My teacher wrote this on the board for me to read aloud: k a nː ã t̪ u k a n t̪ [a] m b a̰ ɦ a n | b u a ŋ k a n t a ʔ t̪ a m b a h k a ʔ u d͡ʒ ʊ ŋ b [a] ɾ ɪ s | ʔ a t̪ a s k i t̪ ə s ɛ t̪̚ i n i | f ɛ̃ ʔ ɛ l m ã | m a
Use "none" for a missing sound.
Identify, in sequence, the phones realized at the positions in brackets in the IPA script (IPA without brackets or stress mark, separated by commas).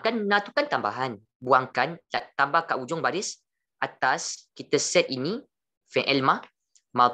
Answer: a, a